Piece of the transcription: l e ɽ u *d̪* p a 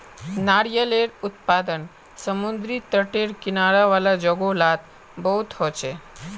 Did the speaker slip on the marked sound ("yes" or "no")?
yes